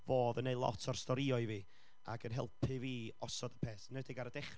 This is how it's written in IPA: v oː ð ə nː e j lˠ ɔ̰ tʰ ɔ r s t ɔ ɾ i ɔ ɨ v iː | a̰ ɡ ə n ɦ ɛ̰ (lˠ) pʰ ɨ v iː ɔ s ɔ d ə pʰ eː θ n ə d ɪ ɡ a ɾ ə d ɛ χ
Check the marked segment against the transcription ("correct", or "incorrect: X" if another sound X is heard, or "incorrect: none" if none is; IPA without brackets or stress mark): correct